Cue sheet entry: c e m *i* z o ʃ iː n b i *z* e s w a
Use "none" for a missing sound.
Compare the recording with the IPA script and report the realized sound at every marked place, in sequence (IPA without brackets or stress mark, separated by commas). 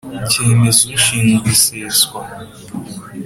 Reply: e, s